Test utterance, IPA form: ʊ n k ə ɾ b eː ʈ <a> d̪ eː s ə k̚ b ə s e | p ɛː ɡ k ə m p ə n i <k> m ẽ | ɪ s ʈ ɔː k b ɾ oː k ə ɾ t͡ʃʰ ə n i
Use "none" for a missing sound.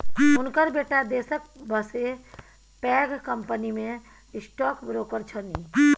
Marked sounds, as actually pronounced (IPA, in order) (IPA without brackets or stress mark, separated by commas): a, none